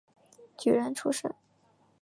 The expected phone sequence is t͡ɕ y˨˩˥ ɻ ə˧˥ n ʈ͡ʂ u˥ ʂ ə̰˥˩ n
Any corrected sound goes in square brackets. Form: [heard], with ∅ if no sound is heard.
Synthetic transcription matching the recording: t͡ɕ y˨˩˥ ɻ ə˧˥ n [ʈ͡ʂʰ] u˥ ʂ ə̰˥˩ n